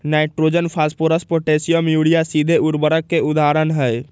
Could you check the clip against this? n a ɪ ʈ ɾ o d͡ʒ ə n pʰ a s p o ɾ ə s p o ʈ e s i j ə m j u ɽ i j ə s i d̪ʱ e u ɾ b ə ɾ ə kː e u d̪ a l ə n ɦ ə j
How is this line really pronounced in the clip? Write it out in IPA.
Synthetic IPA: n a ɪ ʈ ɾ o d͡ʒ ə n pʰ a s p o ɾ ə s p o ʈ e s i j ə m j u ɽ i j a s i d̪ʱ e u ɾ b ə ɾ ə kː e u d̪ a ɾ ə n ɦ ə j